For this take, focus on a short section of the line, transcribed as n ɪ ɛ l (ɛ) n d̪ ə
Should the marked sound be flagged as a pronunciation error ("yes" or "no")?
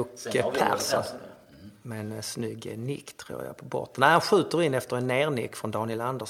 yes